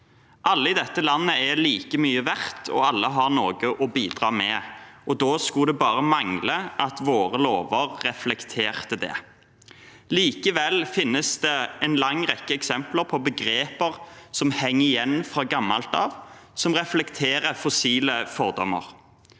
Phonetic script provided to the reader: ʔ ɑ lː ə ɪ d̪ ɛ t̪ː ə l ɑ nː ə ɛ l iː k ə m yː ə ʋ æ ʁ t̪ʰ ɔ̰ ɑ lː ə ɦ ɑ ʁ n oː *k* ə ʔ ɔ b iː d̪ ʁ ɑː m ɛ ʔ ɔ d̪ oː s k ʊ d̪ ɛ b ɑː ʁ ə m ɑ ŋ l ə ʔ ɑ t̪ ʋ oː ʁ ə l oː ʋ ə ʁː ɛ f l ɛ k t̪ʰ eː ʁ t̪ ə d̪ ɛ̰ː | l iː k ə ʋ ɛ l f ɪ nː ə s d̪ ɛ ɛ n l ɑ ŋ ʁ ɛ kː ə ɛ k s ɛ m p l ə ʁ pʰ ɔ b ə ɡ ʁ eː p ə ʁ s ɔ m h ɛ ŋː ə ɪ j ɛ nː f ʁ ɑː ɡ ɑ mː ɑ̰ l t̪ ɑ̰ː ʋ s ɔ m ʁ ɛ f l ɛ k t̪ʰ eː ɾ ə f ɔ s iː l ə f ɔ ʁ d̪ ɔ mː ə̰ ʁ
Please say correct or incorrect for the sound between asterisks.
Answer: incorrect: ɡ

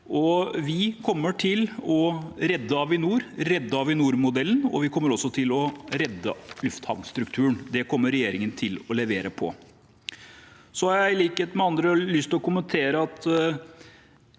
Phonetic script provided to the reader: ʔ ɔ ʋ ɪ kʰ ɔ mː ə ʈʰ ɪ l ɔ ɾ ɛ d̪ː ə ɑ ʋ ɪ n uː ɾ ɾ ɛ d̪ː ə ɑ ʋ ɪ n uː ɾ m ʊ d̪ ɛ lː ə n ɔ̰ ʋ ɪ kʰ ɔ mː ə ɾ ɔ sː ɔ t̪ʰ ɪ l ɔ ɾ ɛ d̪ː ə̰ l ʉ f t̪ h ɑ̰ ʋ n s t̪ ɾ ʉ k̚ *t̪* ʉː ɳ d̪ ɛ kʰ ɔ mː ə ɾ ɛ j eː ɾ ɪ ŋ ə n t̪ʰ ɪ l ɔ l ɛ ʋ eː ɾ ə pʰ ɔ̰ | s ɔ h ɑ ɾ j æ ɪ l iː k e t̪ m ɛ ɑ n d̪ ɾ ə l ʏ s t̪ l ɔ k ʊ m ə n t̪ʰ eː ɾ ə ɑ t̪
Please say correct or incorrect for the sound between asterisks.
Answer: incorrect: t̪ʰ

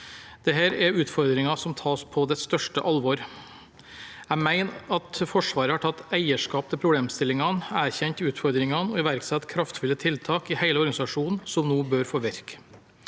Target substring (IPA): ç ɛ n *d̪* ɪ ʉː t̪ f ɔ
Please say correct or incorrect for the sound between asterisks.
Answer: incorrect: t̪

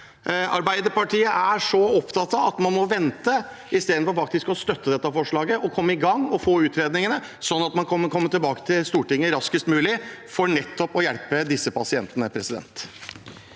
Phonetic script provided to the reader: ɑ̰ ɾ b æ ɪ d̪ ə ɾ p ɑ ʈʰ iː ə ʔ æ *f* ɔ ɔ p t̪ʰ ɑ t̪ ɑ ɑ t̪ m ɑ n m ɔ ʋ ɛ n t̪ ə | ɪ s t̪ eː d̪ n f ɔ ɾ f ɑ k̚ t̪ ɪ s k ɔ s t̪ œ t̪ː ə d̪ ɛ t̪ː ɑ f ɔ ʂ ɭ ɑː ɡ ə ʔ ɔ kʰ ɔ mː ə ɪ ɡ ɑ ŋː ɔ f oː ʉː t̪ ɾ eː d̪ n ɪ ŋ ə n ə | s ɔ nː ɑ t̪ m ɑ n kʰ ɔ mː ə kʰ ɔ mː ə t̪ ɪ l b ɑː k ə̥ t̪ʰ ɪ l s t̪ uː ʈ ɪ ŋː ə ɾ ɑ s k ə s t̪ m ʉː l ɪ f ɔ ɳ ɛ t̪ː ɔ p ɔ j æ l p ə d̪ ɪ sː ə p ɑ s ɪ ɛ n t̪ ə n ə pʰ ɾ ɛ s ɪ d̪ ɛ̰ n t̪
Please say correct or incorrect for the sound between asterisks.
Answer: incorrect: ʂ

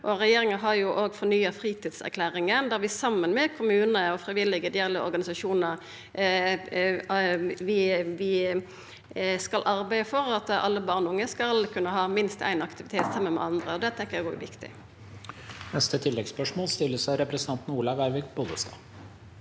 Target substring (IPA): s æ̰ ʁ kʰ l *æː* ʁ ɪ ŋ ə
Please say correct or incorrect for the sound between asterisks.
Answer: correct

